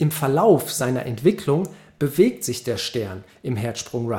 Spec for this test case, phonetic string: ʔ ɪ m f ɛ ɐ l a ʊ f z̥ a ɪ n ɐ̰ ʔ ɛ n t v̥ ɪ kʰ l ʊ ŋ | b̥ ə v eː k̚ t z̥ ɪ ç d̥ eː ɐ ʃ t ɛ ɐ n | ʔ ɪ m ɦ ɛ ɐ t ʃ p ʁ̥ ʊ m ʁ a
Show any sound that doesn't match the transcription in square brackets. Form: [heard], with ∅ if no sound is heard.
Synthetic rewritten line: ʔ ɪ m f ɛ ɐ l a ʊ f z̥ a ɪ n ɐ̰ ʔ ɛ n t v̥ ɪ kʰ l ʊ ŋ | b̥ ə v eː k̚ t z̥ ɪ ç d̥ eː ɐ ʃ t ɛ ɐ n | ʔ ɪ m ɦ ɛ ɐ t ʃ p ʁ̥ ʊ [ŋ] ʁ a